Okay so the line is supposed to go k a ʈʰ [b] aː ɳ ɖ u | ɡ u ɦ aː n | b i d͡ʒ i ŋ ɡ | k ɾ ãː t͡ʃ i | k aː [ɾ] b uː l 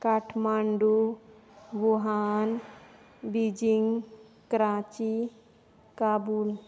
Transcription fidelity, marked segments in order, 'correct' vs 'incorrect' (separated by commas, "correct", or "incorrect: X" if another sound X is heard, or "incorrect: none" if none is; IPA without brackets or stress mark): incorrect: m, incorrect: none